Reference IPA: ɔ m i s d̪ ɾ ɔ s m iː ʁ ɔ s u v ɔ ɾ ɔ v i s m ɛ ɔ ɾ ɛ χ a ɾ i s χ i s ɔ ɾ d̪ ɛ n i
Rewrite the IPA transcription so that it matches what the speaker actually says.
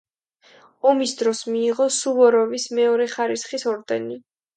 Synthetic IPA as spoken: ɔ m i s d̪ ɾ ɔ s m iː ʁ ɔ s u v ɔ ɾ ɔ v i s m ɛ ɔ ɾ ɛ χ a ɾ i s χ i s ɔ ɾ d̪ ɛ n i